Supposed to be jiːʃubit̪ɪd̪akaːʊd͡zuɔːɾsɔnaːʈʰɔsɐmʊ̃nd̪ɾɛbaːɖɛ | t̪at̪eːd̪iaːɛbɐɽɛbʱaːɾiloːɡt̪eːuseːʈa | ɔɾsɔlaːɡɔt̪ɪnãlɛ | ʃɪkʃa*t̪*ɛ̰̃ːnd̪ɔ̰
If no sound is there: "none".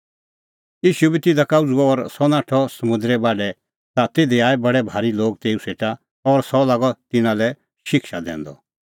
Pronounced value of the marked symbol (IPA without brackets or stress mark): d̪